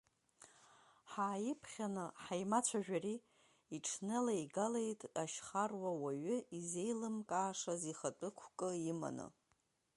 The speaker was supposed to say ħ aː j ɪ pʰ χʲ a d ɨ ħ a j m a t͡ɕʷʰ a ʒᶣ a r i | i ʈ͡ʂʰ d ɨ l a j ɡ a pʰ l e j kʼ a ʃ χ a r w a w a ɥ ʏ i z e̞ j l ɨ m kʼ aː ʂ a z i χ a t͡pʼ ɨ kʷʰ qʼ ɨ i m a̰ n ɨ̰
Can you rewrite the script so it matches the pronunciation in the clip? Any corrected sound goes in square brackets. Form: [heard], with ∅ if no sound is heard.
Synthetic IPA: ħ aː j ɪ pʰ χʲ a [n] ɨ ħ a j m a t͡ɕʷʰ a ʒᶣ a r i | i ʈ͡ʂʰ [n] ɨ l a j ɡ a [∅] l e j [tʼ] a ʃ χ a r w a w a ɥ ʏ i z e̞ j l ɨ m kʼ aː ʂ a z i χ a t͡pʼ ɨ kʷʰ [kʼ] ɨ i m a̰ n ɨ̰

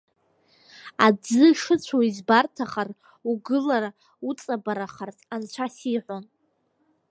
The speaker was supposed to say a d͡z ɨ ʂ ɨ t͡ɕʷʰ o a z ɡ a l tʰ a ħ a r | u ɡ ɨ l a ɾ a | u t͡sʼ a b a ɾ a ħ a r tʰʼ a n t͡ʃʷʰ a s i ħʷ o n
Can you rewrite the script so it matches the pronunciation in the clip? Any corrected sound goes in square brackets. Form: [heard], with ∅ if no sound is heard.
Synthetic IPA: a d͡z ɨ ʂ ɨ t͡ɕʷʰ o [i] z [b] a [r] tʰ a [χ] a r | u ɡ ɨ l a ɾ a | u t͡sʼ a b a ɾ a [χ] a r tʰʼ a n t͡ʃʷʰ a s i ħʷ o n

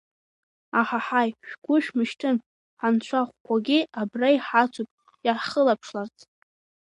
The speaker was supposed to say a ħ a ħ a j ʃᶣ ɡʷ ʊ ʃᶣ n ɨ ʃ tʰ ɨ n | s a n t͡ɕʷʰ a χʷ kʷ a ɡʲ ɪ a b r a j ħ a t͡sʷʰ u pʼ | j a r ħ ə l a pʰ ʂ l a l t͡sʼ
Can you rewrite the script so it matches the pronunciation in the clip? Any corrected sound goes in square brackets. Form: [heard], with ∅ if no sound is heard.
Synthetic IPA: a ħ a ħ a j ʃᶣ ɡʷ ʊ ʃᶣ [m] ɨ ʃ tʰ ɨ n | [ħ] a n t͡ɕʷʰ a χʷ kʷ a ɡʲ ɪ a b r a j ħ a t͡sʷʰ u pʼ | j a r [χ] ə l a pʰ ʂ l a [r] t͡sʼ

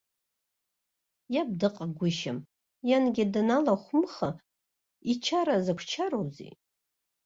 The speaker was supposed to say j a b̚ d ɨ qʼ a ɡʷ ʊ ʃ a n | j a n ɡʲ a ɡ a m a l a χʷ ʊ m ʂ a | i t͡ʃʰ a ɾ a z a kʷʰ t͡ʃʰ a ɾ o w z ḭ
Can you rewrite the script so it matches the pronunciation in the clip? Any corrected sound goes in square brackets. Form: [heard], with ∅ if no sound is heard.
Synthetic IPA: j a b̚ d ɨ qʼ a ɡʷ ʊ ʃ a [m] | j a n ɡʲ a [d] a [n] a l a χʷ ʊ m [χ] a | i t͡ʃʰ a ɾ a z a kʷʰ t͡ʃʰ a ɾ o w z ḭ

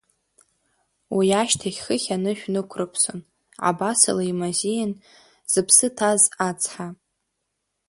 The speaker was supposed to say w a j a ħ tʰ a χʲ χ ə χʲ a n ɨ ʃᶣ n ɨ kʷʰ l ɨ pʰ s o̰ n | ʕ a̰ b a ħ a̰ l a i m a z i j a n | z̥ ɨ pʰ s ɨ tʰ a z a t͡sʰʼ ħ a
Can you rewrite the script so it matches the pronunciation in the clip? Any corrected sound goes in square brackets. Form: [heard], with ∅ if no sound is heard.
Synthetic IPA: w [i] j a [ʃ] tʰ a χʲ χ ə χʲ a n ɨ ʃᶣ n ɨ kʷʰ [r] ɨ pʰ s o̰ n | ʕ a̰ b a [s] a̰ l a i m a z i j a n | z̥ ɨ pʰ s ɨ tʰ a z a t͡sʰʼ ħ a

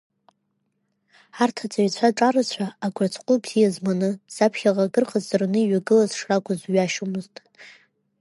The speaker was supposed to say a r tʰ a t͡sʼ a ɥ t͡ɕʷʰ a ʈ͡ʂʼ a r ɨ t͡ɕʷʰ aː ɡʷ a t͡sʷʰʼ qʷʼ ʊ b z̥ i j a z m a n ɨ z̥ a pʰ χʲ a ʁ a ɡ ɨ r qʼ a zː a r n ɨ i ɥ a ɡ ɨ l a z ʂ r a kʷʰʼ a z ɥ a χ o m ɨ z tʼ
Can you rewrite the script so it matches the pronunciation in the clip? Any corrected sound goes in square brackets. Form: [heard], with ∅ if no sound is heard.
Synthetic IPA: a r tʰ a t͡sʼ a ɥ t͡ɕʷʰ a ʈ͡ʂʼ a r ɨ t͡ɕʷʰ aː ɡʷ a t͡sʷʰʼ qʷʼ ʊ b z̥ i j a z m a n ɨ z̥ a pʰ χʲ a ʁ a ɡ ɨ r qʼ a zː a r n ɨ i ɥ a ɡ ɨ l a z ʂ r a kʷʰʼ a z ɥ a [ʃ] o m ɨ z tʼ

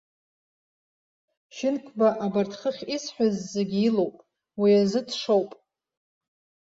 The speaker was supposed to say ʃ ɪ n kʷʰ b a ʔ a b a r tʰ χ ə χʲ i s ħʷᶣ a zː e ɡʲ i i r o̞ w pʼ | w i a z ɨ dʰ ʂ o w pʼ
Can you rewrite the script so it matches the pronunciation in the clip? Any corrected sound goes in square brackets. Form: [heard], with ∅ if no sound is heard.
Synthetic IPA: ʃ ɪ n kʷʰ b a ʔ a b a r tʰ χ ə χʲ i s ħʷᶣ a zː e ɡʲ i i [l] o̞ w pʼ | w i a z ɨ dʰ ʂ o w pʼ

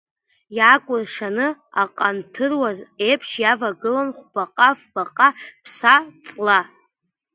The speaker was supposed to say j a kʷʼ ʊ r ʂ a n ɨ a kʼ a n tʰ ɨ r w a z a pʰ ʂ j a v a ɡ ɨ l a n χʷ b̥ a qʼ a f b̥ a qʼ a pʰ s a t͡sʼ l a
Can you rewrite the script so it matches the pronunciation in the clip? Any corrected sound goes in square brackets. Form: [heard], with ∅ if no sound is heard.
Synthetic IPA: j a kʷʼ ʊ r ʂ a n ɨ a [qʼ] a n tʰ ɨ r w a z [e] pʰ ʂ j a v a ɡ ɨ l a n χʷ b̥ a qʼ a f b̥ a qʼ a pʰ s a t͡sʼ l a

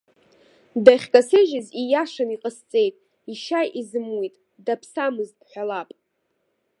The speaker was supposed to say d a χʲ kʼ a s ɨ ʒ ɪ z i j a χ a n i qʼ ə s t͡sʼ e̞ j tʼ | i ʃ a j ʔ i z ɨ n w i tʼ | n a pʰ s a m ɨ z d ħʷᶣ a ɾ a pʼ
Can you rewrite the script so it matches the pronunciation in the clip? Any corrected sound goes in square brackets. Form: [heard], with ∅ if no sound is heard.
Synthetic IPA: d a χʲ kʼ a s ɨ ʒ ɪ z i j a [ʂ] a n i qʼ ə s t͡sʼ e̞ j tʼ | i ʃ a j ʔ i z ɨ [m] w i tʼ | [d] a pʰ s a m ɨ z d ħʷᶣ a [l] a pʼ

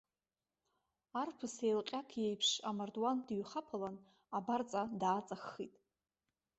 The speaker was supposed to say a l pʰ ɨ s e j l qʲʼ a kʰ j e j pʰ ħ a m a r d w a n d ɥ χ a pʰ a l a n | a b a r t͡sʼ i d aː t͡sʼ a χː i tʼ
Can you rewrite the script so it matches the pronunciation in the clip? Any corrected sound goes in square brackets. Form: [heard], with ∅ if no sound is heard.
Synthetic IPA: a [r] pʰ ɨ s e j l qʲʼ a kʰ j e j pʰ [ʂ] a m a r d w a n d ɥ χ a pʰ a l a n | a b a r t͡sʼ [a] d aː t͡sʼ a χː i tʼ

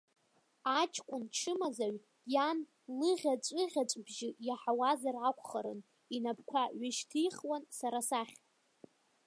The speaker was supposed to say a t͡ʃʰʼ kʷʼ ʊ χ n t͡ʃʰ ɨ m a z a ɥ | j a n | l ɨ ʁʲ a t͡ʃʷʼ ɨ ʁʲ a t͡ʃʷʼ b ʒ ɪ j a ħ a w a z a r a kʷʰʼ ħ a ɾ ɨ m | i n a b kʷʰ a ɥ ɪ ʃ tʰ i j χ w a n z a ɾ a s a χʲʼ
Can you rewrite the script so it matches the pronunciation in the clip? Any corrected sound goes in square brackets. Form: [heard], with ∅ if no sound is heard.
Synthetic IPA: a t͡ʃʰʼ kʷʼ ʊ [∅] n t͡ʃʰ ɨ m a z a ɥ | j a n | l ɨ ʁʲ a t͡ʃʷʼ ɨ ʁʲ a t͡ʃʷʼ b ʒ ɪ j a ħ a w a z a r a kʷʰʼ [χ] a ɾ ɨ [n] | i n a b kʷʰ a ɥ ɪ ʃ tʰ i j χ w a n [s] a ɾ a s a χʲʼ

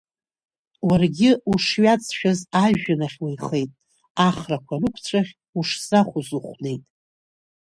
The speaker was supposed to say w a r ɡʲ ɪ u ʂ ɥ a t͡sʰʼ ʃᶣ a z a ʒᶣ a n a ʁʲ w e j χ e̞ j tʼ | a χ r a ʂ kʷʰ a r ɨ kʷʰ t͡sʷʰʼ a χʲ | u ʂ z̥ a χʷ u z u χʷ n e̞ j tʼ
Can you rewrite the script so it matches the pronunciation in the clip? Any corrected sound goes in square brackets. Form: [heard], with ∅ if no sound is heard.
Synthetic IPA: w a r ɡʲ ɪ u ʂ ɥ a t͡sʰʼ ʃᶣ a z a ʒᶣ a n a [χʲ] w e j χ e̞ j tʼ | a χ r a [∅] kʷʰ a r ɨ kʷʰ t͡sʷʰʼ a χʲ | u ʂ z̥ a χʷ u z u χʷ n e̞ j tʼ

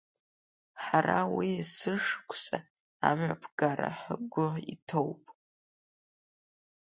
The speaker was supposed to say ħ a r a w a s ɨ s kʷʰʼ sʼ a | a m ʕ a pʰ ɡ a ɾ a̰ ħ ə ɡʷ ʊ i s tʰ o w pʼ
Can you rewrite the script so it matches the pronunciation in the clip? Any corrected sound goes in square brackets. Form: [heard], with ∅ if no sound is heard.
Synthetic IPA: ħ a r a w [i] s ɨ [ʂ] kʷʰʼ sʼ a | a m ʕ a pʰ ɡ a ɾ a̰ ħ ə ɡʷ ʊ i [∅] tʰ o w pʼ

